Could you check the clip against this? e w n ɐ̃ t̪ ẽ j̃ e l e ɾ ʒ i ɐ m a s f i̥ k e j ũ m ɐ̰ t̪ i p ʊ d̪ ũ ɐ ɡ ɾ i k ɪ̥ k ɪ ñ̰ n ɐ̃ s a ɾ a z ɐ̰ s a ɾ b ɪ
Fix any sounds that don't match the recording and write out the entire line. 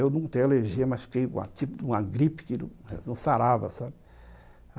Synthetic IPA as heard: e w n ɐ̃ t̪ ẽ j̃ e l e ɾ ʒ i ɐ m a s f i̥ k e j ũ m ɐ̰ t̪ i p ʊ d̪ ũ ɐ ɡ ɾ i p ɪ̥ k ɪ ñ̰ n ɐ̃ s a ɾ a v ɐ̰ s a b ɪ